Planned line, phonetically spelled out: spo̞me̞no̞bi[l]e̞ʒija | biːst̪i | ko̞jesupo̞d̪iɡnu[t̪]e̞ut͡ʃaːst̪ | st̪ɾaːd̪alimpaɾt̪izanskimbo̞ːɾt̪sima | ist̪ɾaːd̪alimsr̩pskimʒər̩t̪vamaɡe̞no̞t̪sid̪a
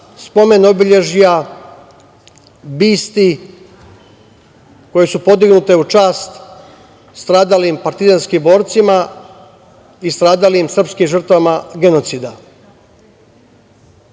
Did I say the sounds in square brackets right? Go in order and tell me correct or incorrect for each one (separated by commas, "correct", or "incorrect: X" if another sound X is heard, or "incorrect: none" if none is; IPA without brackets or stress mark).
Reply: incorrect: ʎ, correct